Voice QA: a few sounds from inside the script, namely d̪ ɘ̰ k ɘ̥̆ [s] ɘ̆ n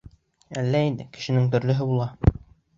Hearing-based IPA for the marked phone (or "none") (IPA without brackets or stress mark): ʃ